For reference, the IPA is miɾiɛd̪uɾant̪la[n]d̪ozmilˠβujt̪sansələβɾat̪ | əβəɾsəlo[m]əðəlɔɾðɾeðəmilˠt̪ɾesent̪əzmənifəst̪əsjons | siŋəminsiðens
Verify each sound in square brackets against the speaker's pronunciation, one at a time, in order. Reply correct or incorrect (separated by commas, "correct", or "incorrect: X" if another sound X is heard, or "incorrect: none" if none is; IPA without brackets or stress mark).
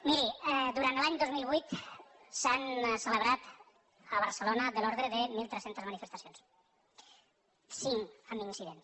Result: incorrect: ɲ, incorrect: n